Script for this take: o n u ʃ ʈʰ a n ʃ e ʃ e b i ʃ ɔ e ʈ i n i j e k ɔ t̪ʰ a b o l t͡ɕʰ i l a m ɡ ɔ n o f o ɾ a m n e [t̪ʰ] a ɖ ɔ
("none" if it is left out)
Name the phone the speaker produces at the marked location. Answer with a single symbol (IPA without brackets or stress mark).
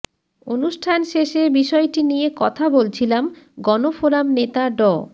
t̪